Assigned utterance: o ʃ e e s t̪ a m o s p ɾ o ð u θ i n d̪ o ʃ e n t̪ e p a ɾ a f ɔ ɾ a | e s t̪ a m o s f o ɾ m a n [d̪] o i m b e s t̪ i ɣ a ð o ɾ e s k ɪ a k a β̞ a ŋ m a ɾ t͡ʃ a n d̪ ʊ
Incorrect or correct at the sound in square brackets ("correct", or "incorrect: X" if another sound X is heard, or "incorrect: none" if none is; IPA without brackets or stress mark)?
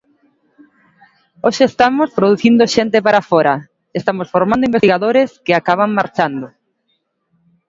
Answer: correct